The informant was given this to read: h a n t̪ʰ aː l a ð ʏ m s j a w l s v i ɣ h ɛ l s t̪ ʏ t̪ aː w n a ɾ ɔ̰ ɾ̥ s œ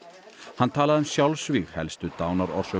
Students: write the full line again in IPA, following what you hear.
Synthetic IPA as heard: h a n t̪ʰ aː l a ð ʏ m s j a w l s v i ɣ h ɛ l s t̪ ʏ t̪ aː w n a ɾ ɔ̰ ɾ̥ s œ